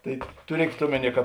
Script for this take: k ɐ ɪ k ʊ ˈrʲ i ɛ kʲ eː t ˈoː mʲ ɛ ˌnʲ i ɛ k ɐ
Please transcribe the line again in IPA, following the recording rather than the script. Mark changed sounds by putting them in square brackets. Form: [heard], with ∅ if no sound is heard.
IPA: [t] ɐ ɪ [t] ʊ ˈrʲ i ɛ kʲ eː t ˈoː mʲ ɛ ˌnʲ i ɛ k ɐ